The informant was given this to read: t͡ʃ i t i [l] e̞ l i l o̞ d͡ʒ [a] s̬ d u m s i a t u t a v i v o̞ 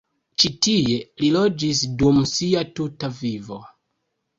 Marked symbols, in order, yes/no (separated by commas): no, no